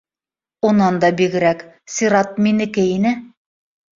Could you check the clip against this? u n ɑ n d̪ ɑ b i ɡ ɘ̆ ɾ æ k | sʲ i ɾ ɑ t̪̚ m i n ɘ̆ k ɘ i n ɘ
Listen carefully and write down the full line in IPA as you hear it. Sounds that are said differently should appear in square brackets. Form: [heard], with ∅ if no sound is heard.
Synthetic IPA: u n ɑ n d̪ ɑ b i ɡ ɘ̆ ɾ æ k | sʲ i ɾ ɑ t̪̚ m i n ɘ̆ k ɘ i n ɘ